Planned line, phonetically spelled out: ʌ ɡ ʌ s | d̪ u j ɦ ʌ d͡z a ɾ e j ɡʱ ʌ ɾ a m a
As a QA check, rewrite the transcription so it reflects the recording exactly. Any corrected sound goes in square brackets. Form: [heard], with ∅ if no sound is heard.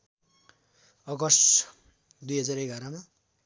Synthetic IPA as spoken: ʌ ɡ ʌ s | d̪ u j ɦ ʌ d͡z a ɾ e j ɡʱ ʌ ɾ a m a